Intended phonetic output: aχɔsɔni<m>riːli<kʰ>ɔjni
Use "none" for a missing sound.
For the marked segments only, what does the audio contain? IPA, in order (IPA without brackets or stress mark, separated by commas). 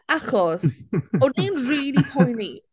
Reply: n, pʰ